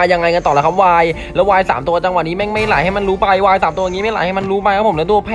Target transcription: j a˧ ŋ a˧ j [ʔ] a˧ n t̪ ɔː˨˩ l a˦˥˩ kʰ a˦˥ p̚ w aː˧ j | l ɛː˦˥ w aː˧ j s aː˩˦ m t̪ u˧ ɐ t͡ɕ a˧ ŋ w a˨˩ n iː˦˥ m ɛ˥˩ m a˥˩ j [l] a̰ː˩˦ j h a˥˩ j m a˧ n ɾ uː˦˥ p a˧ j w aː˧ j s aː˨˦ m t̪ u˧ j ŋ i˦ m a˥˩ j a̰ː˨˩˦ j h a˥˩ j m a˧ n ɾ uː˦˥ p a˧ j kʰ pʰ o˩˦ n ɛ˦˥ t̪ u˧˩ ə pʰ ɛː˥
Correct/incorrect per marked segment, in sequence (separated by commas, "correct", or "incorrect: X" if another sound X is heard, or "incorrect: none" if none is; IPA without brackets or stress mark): incorrect: k, correct